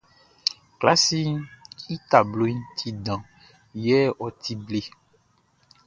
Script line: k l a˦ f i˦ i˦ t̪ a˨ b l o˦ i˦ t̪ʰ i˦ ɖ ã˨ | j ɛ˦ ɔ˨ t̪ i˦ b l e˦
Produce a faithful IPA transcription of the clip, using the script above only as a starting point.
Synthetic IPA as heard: k l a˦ s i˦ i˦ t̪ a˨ b l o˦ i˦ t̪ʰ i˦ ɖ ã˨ | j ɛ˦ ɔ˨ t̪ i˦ b l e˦